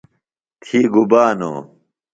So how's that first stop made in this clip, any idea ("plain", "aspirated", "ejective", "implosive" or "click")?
aspirated